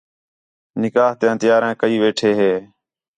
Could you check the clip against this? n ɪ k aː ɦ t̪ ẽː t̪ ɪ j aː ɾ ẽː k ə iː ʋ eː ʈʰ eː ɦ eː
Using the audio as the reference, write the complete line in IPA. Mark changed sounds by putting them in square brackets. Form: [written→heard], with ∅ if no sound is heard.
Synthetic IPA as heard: n ɪ k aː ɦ t̪ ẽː t̪ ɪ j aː ɾ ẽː k ə iː ʋ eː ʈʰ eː ɦ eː